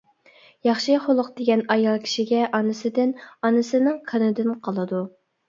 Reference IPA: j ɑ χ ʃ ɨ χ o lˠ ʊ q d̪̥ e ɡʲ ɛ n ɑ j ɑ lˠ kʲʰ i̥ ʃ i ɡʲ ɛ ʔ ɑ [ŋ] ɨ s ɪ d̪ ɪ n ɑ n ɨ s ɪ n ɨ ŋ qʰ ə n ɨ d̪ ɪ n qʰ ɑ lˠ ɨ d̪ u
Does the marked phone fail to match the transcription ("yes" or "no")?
yes